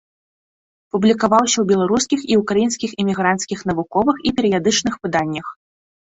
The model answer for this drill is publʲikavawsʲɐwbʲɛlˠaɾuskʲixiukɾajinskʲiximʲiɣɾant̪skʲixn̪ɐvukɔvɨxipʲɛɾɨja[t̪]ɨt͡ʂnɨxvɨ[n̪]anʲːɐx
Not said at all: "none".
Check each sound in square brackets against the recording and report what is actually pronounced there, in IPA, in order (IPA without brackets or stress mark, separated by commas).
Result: d̪, d̪